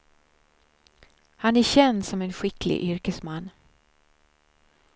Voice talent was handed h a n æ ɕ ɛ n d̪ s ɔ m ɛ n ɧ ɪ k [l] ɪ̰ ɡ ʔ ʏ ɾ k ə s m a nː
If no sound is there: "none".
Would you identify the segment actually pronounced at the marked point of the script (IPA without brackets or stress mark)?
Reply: l